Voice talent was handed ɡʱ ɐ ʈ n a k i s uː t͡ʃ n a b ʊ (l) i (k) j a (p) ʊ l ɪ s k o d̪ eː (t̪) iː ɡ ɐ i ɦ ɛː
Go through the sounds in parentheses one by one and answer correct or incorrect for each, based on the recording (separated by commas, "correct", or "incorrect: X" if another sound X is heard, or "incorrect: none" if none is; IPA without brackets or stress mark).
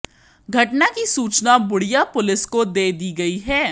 incorrect: ɽ, incorrect: none, correct, incorrect: d̪